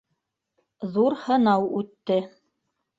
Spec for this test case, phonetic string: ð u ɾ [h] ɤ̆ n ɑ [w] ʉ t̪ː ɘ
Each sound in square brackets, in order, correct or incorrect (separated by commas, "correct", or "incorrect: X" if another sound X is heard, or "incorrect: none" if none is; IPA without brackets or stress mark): correct, correct